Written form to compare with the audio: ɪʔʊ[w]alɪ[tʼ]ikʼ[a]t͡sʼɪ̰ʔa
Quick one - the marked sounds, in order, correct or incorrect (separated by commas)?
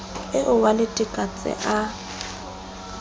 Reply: correct, correct, correct